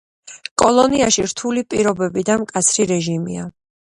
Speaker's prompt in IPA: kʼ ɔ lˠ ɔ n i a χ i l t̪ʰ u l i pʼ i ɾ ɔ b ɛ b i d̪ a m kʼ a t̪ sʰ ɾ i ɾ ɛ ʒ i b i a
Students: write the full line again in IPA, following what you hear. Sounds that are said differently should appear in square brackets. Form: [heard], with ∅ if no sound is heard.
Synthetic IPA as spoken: kʼ ɔ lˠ ɔ n i a [ʃ] i [ɾ] t̪ʰ u l i pʼ i ɾ ɔ b ɛ b i d̪ a m kʼ a t̪ sʰ ɾ i ɾ ɛ ʒ i [m] i a